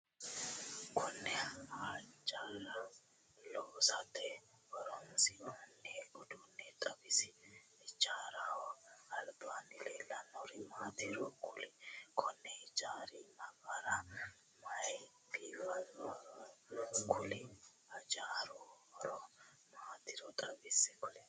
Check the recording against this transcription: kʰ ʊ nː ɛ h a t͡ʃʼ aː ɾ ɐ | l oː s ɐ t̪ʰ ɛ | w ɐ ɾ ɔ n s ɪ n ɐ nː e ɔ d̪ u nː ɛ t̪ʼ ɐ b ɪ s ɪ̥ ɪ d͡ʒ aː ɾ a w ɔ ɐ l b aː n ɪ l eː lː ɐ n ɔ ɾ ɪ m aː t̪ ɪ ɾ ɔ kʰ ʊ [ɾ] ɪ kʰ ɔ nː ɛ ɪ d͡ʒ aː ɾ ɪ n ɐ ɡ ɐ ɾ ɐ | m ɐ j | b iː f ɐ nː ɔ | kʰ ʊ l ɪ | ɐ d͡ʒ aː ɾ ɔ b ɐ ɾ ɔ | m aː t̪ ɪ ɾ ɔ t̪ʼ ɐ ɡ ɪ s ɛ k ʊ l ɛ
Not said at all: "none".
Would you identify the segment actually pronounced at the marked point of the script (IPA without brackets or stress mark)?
l